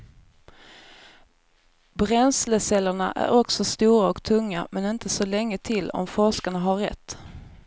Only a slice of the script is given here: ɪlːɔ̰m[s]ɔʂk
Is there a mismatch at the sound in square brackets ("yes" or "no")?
yes